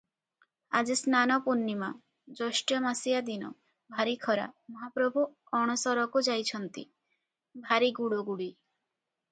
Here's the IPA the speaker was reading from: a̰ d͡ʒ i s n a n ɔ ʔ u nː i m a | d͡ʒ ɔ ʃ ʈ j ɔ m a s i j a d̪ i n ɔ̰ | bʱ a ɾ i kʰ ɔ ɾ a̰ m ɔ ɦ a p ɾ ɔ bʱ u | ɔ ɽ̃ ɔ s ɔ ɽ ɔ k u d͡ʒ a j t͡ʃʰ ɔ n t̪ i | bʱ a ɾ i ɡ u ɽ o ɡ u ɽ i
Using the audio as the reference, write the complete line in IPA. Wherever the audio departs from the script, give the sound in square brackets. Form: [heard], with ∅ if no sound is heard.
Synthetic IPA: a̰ d͡ʒ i s n a n ɔ [p] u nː i m a | d͡ʒ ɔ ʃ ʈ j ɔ m a s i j a d̪ i n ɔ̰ | bʱ a ɾ i kʰ ɔ ɾ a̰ m ɔ ɦ a p ɾ ɔ bʱ u | ɔ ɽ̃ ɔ s ɔ [ɾ] ɔ k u d͡ʒ a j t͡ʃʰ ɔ n t̪ i | bʱ a ɾ i ɡ u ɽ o ɡ u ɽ i

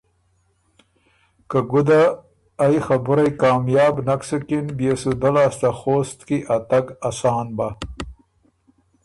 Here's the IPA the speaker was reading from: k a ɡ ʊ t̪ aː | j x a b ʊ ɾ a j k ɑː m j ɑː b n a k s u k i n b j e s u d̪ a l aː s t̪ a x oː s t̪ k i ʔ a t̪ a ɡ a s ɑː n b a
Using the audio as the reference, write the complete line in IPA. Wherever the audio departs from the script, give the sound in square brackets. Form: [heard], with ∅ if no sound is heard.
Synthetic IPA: k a ɡ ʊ [d̪] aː | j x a b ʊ ɾ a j k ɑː m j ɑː b n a k s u k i n b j e s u d̪ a l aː s t̪ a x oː s t̪ k i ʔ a t̪ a ɡ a s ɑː n b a

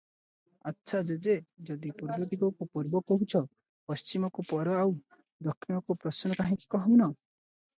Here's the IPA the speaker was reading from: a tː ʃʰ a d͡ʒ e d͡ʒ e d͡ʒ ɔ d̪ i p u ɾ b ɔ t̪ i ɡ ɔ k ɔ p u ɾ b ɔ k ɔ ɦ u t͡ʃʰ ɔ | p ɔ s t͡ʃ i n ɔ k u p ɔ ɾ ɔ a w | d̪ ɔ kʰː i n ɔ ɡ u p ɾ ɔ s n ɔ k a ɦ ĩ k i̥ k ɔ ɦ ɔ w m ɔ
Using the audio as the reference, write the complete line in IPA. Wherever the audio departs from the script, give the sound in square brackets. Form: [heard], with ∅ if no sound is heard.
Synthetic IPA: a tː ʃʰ a d͡ʒ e d͡ʒ e d͡ʒ ɔ d̪ i p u ɾ b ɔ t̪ i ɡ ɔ k [u] p u ɾ b ɔ k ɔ ɦ u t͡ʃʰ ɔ | p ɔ s t͡ʃ i [m] ɔ k u p ɔ ɾ ɔ a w | d̪ ɔ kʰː i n ɔ [k] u p ɾ ɔ s n ɔ k a ɦ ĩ k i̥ k ɔ ɦ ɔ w [n] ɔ

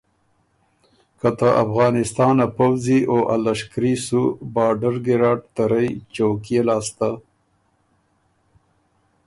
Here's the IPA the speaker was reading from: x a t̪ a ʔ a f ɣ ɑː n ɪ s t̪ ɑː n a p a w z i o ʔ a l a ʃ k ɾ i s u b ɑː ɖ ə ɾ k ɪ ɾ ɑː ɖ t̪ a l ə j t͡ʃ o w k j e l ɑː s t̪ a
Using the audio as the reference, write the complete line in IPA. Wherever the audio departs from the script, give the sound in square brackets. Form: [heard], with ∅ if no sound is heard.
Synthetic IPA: [k] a t̪ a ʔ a f ɣ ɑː n ɪ s t̪ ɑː n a p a w z i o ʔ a l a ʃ k ɾ i s u b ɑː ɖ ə ɾ [ɡ] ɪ ɾ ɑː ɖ t̪ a [ɾ] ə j t͡ʃ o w k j e l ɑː s t̪ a

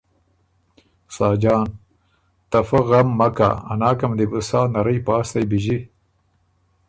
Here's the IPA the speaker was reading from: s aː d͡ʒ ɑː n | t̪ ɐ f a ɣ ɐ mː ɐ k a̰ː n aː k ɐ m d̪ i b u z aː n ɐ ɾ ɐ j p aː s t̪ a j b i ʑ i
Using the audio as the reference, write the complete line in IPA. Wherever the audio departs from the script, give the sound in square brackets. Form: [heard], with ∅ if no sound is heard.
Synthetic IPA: s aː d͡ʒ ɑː n | t̪ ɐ f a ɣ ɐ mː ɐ k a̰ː n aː k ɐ m d̪ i b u [s] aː n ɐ ɾ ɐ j p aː s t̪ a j b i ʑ i

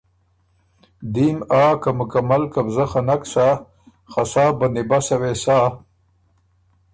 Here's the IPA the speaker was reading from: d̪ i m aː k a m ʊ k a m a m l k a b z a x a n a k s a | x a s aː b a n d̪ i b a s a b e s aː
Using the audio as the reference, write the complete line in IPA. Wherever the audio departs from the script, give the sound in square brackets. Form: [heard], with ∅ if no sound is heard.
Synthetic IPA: d̪ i m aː k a m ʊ k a m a [∅] l k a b z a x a n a k s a | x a s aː b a n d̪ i b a s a [w] e s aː

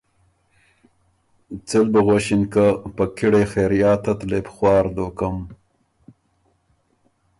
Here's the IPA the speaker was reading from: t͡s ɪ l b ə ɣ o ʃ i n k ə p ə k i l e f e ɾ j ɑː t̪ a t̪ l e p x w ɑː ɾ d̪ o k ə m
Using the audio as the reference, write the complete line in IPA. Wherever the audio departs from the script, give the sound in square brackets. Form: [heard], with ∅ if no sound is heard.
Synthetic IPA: t͡s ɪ l b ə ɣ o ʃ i n k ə p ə k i [ɽ] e [x] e ɾ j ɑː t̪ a t̪ l e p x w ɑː ɾ d̪ o k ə m

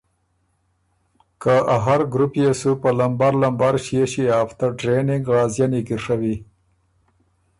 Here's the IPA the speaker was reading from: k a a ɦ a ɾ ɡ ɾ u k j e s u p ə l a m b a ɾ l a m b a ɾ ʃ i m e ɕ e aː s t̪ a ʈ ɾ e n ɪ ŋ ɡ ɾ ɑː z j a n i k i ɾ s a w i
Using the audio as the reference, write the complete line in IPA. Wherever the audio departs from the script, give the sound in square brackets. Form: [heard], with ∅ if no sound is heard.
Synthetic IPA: k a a ɦ a ɾ ɡ ɾ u [p] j e s u p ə l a m b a ɾ l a m b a ɾ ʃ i [∅] e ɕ [i] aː [f] t̪ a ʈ ɾ e n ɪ ŋ ɡ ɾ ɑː z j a n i k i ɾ [ʂ] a w i

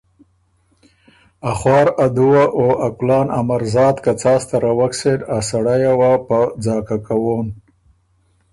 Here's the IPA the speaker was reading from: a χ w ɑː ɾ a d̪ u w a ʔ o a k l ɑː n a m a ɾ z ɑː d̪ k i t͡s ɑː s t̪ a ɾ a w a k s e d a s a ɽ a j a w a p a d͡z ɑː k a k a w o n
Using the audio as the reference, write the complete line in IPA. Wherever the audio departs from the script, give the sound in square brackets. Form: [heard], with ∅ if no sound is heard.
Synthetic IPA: a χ w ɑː ɾ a d̪ u w a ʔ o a k l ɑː n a m a ɾ z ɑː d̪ k [a] t͡s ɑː s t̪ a ɾ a w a k s e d a s a ɽ a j a w a p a d͡z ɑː k a k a w o n

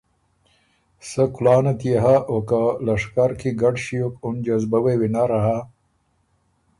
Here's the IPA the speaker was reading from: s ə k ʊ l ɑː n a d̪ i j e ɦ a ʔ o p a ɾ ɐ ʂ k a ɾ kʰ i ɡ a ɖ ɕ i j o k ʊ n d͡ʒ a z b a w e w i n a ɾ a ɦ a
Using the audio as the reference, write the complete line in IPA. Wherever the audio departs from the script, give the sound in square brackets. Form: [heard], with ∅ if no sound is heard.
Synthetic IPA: s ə k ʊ l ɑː n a [t̪] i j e ɦ a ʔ o [k] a [l] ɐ ʂ k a ɾ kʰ i ɡ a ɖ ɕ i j o k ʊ n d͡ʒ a z b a w e w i n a ɾ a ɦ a

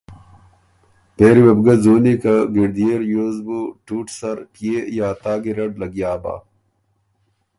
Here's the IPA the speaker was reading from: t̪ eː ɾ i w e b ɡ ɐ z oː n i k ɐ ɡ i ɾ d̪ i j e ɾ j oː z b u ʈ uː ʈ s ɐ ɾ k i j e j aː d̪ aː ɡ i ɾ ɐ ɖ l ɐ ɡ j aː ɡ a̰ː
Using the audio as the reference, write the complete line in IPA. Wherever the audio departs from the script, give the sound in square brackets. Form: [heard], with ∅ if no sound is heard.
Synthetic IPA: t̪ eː ɾ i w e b ɡ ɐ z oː n i k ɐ ɡ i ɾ d̪ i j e ɾ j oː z b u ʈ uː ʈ s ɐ ɾ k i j e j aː [t̪] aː ɡ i ɾ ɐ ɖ l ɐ ɡ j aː [b] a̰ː

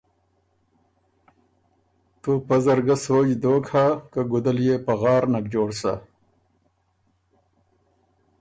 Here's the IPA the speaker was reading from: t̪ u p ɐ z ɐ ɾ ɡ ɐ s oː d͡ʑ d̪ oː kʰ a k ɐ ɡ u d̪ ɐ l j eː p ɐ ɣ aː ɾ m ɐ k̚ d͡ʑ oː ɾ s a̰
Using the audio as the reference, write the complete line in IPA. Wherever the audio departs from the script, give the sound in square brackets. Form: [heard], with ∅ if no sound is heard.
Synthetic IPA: t̪ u p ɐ z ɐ ɾ ɡ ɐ s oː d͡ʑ d̪ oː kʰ a k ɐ ɡ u d̪ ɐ l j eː p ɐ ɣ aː ɾ [n] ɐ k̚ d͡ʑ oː [ɽ] s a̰

